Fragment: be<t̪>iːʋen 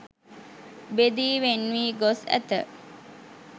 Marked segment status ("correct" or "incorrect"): incorrect